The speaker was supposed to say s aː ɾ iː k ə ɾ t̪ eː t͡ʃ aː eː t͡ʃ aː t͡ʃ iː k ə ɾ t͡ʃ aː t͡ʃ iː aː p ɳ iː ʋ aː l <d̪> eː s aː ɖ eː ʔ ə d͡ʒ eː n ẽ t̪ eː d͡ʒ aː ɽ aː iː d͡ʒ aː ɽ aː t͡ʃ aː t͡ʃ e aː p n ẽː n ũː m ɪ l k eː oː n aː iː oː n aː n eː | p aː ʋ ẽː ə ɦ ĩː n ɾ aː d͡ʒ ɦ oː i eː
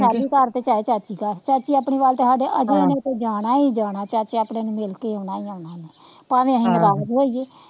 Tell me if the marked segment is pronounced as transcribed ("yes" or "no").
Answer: no